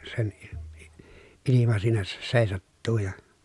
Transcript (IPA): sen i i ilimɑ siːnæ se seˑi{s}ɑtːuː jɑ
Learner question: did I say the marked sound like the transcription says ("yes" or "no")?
yes